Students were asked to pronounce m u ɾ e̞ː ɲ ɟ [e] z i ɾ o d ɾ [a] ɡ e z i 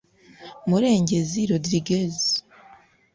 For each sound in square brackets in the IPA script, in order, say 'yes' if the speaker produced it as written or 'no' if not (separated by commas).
yes, no